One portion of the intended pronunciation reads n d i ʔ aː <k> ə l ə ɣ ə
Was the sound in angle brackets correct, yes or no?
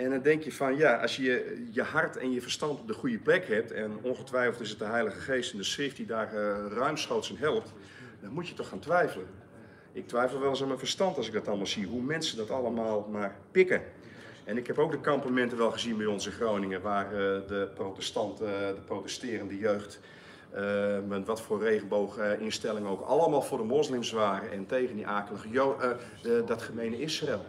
yes